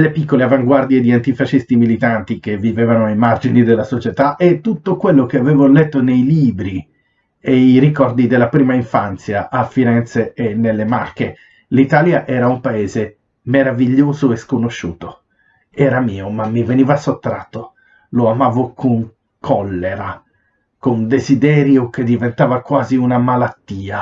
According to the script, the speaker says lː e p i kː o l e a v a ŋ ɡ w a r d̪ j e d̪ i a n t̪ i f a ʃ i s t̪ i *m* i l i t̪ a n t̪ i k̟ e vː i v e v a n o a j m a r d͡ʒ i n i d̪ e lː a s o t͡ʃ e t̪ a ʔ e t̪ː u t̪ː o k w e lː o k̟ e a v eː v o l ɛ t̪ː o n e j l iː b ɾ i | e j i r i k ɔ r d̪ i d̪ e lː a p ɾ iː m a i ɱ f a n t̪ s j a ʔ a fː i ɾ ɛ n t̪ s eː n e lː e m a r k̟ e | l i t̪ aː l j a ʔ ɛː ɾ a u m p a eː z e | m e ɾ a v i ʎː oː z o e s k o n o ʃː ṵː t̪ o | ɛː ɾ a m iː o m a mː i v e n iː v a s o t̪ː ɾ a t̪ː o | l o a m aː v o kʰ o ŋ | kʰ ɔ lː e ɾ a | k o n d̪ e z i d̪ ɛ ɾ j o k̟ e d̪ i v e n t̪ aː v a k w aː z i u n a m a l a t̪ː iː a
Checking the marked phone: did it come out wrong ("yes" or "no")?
no